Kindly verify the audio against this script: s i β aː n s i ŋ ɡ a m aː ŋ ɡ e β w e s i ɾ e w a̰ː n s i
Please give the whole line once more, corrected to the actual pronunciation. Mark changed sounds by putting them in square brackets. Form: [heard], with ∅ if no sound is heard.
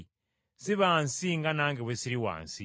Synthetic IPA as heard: s i β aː n s i ŋ ɡ a [n] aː ŋ ɡ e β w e s i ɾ [i] w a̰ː n s i